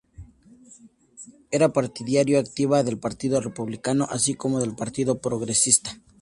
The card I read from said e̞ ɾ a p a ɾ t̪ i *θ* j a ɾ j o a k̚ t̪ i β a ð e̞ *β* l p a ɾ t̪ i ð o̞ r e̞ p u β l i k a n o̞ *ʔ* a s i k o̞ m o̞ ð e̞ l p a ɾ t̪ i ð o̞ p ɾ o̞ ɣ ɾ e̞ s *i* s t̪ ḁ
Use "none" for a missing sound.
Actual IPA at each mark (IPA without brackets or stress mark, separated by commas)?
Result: ð, none, ʔ, i